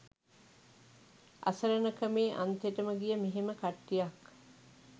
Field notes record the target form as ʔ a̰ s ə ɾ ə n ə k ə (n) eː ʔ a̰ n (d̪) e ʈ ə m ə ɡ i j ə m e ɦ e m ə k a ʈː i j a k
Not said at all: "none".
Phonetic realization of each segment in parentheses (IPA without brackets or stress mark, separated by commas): m, t̪